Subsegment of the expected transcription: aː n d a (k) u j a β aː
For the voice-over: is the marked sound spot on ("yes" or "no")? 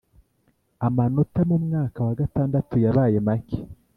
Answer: no